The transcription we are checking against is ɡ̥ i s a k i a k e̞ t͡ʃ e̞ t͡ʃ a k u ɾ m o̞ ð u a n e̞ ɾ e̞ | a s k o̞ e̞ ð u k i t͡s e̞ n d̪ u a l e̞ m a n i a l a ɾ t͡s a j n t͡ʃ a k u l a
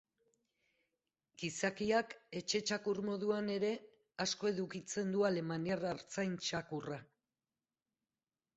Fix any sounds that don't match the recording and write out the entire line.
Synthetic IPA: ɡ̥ i s a k i a k e̞ t͡ʃ e̞ t͡ʃ a k u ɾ m o̞ ð u a n e̞ ɾ e̞ | a s k o̞ e̞ ð u k i t͡s e̞ n d̪ u a l e̞ m a n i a r a ɾ t͡s a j n t͡ʃ a k u r a